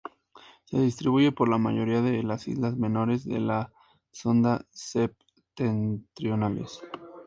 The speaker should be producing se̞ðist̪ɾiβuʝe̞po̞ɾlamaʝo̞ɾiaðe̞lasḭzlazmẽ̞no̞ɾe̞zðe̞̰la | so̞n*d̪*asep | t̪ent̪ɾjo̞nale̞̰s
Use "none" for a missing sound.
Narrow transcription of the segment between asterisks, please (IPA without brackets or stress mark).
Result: d̪